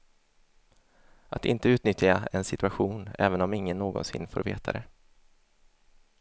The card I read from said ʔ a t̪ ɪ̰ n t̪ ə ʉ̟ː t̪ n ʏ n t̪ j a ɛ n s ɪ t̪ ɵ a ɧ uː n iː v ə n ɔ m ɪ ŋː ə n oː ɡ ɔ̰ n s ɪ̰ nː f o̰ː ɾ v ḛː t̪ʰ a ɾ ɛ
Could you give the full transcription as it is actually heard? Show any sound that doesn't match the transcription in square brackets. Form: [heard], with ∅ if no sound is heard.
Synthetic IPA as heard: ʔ a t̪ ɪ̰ n t̪ ə ʉ̟ː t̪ n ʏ [∅] t̪ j a ɛ n s ɪ t̪ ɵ a ɧ uː n [ɛː] v ə n ɔ m ɪ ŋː ə [nː] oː ɡ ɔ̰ n s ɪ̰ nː f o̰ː ɾ v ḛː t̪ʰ a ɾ ɛ